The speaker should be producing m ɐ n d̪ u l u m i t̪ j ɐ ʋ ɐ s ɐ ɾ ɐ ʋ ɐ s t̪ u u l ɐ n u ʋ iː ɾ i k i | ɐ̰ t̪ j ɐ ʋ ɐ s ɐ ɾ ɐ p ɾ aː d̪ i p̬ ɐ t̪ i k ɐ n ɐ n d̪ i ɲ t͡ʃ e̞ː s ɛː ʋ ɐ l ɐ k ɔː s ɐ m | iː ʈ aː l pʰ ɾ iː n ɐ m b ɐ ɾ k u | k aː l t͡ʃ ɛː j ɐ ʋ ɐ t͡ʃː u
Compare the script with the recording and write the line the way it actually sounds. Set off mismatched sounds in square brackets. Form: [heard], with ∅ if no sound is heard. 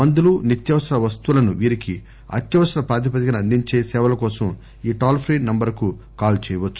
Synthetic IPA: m ɐ n d̪ u l u [n] i t̪ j ɐ ʋ ɐ s ɐ ɾ ɐ ʋ ɐ s t̪ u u l ɐ n u ʋ iː ɾ i k i | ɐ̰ t̪ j ɐ ʋ ɐ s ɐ ɾ ɐ p ɾ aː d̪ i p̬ ɐ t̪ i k ɐ n ɐ n d̪ i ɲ t͡ʃ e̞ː s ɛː ʋ ɐ l ɐ k ɔː s ɐ m | iː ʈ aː l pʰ ɾ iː n ɐ m b ɐ ɾ k u | k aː l t͡ʃ ɛː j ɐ ʋ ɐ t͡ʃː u